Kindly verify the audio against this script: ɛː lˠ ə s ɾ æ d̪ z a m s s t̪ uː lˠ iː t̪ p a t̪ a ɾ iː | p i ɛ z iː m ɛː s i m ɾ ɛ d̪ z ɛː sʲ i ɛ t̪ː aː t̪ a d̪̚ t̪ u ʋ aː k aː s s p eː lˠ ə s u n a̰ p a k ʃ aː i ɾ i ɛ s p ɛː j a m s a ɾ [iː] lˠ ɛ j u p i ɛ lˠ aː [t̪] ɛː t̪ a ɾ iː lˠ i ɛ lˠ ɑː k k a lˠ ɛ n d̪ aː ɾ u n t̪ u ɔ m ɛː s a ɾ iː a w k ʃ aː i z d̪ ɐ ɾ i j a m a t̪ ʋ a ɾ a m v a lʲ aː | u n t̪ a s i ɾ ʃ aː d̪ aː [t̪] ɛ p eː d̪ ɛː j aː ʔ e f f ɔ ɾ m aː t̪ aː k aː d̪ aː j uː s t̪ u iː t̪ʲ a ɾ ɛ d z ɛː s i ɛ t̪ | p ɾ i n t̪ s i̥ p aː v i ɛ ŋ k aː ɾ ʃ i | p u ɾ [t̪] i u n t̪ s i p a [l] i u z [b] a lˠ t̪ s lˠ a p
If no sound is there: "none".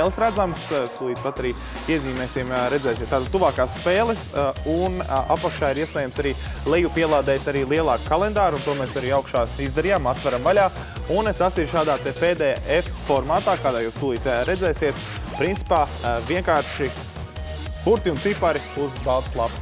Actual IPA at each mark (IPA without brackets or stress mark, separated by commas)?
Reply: iː, d̪, t̪, t̪, ɾ, b